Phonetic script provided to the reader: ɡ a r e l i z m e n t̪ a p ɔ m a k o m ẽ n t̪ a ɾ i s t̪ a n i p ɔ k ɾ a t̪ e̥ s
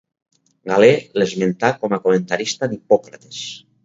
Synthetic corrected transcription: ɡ a l e l e z m e n t̪ a k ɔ m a k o m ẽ n t̪ a ɾ i s t̪ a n i p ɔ k ɾ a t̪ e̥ s